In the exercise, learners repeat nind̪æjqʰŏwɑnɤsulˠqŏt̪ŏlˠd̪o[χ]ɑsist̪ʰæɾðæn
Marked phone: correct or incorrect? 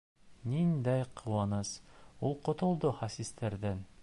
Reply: correct